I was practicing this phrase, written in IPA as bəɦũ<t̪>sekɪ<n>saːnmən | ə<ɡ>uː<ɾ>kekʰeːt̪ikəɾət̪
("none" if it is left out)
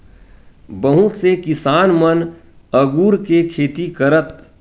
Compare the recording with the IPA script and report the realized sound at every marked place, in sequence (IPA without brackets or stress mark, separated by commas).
t̪, none, ɡ, ɾ